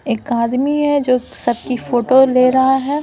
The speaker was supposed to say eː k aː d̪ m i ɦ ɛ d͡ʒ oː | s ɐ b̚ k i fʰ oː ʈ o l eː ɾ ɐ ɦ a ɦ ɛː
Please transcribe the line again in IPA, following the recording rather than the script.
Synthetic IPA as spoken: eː k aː d̪ m i ɦ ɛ d͡ʒ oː | s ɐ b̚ k i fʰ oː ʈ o l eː ɾ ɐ ɦ a ɦ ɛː

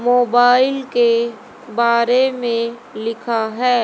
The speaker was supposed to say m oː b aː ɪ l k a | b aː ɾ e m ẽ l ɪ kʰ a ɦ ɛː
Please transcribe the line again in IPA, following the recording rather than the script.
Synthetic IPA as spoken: m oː b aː ɪ l k e | b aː ɾ e m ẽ l ɪ kʰ a ɦ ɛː

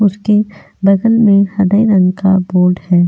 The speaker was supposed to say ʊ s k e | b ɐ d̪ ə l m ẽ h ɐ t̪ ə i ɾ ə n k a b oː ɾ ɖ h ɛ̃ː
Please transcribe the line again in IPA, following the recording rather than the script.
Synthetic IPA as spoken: ʊ s k e | b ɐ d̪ ə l m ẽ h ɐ d̪ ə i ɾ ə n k a b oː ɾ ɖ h ɛː

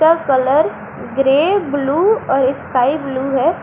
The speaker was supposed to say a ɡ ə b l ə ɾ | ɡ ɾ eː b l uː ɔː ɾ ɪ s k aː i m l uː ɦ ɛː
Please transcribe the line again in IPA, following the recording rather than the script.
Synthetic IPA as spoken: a k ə l ə ɾ | ɡ ɾ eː b l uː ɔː ɾ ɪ s k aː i b l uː ɦ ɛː

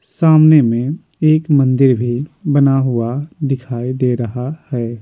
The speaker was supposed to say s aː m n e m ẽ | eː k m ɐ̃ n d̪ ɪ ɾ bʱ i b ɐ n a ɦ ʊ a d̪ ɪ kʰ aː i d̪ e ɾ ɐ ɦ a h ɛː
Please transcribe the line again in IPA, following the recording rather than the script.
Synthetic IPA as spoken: s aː m n e m ẽ | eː k m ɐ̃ n d̪ ɪ ɾ bʱ i b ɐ n a ɦ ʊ a d̪ ɪ kʰ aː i d̪ e ɾ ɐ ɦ a h ɛː

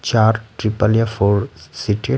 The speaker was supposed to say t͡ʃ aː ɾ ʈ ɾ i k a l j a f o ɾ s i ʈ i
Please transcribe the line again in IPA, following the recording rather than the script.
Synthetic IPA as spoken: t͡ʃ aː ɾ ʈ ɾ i p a l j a f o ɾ s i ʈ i

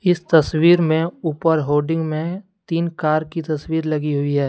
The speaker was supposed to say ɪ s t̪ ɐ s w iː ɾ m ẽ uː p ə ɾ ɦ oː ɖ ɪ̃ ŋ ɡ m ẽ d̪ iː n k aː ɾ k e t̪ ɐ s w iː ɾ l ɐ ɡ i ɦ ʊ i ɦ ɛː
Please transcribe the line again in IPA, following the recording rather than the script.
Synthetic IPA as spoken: ɪ s t̪ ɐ s w iː ɾ m ẽ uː p ə ɾ ɦ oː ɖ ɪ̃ ŋ ɡ m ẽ t̪ iː n k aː ɾ k i t̪ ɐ s w iː ɾ l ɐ ɡ i ɦ ʊ i ɦ ɛː

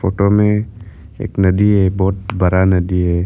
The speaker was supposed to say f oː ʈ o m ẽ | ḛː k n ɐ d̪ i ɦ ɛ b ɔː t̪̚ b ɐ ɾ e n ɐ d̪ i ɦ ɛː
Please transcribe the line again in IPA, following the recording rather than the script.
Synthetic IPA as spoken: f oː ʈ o m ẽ | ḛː k n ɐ d̪ i ɦ ɛ b ɔː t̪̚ b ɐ ɾ a n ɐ d̪ i ɦ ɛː

